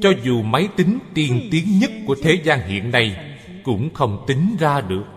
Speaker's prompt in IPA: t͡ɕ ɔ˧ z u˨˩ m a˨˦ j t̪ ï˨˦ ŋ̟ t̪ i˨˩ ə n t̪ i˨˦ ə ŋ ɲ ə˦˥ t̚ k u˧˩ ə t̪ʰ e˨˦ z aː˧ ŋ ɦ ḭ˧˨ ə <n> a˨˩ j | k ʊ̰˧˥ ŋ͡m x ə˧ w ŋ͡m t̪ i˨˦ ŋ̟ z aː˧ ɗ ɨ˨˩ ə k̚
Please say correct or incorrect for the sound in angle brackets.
incorrect